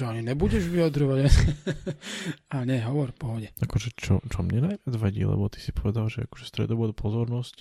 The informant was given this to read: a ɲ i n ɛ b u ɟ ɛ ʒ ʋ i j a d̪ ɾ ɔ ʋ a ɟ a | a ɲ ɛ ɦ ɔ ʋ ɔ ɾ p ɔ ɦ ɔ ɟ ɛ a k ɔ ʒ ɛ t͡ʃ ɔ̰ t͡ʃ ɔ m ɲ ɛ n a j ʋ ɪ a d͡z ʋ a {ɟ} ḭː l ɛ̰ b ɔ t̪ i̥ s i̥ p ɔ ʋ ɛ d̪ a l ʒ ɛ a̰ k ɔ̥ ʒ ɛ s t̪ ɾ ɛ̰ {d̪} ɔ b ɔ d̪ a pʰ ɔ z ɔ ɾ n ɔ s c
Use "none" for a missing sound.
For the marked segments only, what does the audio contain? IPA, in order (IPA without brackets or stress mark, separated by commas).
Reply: ɟ, d̪